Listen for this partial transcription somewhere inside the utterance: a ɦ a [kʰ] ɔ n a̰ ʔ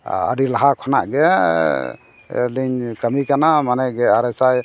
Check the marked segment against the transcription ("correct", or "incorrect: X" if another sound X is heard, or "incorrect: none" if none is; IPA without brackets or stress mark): correct